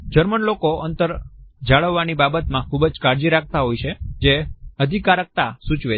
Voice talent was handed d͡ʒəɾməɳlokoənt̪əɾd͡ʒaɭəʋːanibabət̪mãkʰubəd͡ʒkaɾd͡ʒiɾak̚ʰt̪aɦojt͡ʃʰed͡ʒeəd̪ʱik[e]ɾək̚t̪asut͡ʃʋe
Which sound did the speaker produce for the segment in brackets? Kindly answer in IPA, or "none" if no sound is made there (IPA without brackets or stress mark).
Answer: a